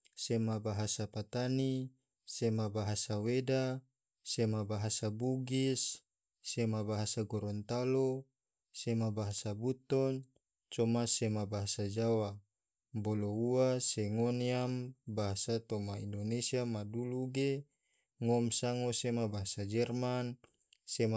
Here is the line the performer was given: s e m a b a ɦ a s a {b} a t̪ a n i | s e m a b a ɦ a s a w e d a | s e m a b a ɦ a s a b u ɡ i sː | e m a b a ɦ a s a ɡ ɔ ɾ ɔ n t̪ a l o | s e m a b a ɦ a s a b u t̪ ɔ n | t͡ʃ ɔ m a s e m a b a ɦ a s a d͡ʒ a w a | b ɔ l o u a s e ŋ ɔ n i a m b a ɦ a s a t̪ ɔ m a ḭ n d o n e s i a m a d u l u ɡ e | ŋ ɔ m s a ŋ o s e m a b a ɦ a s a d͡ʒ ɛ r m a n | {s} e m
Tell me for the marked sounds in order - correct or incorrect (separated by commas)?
incorrect, correct